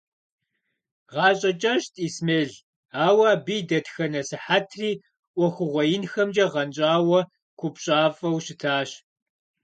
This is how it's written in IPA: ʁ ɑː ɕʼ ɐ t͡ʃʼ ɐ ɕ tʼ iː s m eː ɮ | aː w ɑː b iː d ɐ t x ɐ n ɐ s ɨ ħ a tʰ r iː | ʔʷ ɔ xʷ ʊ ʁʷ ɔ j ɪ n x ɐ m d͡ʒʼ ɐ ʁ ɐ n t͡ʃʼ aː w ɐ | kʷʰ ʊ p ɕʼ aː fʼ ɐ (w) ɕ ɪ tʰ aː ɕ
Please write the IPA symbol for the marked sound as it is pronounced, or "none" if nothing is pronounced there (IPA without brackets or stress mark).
w